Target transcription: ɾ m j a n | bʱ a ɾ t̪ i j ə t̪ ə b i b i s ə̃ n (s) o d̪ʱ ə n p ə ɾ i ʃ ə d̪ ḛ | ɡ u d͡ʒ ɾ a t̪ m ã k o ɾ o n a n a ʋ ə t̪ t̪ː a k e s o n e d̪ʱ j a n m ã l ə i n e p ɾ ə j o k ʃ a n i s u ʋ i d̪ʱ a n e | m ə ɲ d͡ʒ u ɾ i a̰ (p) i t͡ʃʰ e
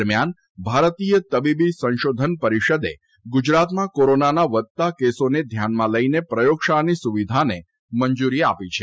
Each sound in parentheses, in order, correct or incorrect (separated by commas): incorrect, correct